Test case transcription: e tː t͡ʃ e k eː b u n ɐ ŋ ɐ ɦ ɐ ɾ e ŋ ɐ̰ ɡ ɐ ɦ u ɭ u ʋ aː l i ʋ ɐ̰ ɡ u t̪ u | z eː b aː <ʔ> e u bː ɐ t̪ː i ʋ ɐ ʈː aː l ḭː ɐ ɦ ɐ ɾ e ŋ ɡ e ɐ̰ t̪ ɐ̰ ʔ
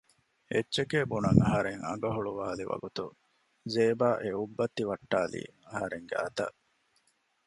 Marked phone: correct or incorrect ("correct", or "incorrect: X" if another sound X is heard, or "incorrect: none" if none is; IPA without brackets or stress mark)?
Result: correct